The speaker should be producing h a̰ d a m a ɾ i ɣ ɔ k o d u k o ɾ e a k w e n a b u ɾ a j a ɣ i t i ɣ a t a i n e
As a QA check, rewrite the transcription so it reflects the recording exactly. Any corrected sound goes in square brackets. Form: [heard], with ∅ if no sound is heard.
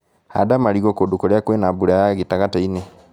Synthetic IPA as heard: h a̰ d a m a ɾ i ɣ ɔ k o d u k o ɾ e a k w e n a b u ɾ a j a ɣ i t [a] ɣ a t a i n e